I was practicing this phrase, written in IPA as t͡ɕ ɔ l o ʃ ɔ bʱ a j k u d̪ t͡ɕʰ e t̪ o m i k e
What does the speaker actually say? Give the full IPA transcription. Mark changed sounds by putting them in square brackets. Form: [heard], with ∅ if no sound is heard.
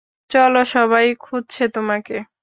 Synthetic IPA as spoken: t͡ɕ ɔ l o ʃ ɔ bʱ a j [kʰ] u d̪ t͡ɕʰ e t̪ o m [a] k e

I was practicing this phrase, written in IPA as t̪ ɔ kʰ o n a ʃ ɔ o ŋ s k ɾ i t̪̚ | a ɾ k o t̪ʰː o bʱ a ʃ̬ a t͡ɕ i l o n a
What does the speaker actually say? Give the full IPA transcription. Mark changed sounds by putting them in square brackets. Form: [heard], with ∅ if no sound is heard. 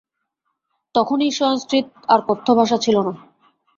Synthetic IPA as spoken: t̪ ɔ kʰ o n [i] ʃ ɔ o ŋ s k ɾ i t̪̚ | a ɾ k o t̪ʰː o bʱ a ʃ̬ a [t͡ɕʰ] i l o n a

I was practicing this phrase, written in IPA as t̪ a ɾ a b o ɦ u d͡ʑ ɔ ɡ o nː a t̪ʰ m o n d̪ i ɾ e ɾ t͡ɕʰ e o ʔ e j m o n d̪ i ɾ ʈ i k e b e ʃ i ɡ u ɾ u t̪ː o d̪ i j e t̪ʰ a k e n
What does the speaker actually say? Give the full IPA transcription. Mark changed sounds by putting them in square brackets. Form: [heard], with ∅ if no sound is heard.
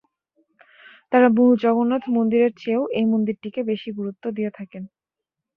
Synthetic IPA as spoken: t̪ a ɾ a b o ɦ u d͡ʑ ɔ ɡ o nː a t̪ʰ m o n d̪ i ɾ e ɾ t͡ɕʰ e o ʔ e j m o n d̪ i ɾ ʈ i k e b e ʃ i ɡ u ɾ u t̪ː o d̪ i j e t̪ʰ a k e n

